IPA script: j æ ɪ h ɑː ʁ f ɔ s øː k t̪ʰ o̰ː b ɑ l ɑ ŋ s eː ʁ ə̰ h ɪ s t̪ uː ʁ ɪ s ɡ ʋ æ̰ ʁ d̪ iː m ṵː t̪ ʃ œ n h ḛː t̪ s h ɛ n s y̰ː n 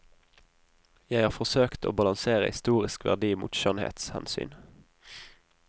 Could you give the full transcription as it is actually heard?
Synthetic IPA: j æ ɪ h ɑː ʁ f ɔ s øː k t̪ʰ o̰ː b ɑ l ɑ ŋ s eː ʁ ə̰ h ɪ s t̪ uː ʁ ɪ s k ʋ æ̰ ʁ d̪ iː m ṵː t̪ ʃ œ n h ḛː t̪ s h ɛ n s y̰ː n